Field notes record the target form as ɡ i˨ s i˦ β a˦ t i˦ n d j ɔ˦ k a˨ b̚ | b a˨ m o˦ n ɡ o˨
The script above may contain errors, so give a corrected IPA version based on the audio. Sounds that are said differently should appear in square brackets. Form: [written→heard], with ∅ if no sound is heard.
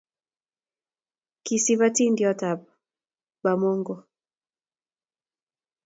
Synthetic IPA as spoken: [ɡ→k] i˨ s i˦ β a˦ t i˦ n d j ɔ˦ [k→t] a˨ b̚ | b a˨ m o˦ [n→ŋ] ɡ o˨